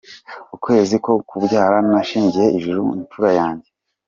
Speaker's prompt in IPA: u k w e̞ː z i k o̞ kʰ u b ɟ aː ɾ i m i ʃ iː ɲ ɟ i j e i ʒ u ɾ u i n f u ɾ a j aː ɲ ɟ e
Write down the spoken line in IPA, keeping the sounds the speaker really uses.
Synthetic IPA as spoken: u k w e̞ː z i k o̞ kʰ u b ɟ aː ɾ a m a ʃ iː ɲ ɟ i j e i ʒ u ɾ u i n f u ɾ a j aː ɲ ɟ e